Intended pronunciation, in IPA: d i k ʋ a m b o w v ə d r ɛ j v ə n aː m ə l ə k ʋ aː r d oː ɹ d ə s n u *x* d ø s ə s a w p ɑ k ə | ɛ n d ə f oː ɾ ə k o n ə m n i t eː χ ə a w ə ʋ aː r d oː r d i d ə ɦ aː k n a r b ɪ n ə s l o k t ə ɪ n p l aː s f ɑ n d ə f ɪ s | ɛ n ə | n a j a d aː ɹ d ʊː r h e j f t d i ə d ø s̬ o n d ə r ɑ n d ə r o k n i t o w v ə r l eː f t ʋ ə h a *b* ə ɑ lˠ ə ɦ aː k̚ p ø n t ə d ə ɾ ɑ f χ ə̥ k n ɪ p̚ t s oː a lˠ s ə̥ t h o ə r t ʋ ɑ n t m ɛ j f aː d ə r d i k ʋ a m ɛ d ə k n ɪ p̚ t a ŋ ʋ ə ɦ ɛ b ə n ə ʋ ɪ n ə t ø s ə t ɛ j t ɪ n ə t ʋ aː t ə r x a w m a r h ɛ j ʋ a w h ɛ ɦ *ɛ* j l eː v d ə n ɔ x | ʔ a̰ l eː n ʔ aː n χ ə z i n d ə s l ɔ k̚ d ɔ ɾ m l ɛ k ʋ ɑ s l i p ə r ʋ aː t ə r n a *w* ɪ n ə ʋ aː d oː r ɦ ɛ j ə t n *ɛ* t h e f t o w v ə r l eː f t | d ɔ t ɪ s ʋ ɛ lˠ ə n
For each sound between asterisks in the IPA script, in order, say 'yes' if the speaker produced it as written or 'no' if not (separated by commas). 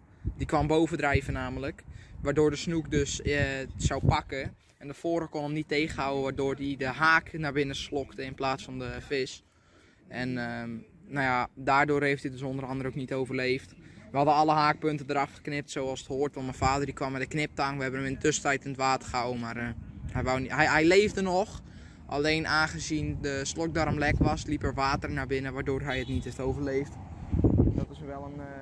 no, no, yes, no, no